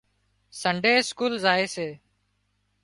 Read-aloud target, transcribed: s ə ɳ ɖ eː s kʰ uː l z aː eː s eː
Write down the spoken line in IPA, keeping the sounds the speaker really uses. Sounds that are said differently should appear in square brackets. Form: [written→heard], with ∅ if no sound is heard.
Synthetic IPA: s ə ɳ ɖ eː s [kʰ→k] uː l z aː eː s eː